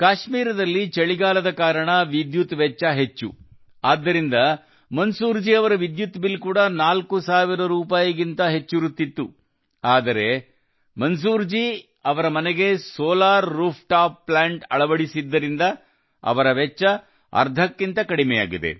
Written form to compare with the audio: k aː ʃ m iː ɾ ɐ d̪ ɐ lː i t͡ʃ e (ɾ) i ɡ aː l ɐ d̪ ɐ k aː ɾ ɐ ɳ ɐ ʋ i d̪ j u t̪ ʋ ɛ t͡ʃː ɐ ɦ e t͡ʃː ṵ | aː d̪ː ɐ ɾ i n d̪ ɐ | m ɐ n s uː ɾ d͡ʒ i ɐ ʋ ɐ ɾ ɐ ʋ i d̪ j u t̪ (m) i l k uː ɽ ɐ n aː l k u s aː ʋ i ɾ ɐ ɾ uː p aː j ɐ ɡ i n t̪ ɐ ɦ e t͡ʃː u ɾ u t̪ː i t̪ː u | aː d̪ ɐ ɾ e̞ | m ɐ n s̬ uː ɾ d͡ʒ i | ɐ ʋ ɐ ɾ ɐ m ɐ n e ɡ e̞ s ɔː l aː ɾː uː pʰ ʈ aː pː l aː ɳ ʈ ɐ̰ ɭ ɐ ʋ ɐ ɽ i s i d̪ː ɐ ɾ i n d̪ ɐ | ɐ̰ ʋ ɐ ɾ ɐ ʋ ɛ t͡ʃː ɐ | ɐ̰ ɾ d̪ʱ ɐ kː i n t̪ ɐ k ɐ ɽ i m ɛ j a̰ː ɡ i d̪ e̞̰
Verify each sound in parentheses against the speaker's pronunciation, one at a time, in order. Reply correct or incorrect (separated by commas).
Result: incorrect, incorrect